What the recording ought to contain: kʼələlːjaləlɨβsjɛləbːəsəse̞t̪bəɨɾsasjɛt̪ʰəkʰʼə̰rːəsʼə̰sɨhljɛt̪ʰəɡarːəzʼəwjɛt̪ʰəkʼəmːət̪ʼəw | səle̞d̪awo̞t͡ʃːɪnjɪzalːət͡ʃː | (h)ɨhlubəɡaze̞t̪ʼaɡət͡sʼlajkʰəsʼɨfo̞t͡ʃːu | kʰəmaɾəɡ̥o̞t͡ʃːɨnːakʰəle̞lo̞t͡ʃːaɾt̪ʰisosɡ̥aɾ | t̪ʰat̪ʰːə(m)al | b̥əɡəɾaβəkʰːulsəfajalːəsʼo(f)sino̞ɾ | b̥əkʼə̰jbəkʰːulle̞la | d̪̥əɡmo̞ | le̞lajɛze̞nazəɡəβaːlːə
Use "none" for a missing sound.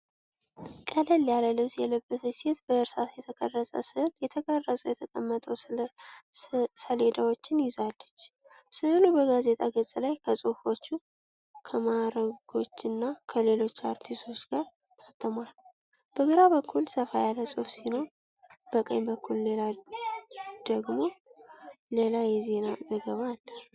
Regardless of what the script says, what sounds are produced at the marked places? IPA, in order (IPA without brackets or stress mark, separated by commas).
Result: s, m, f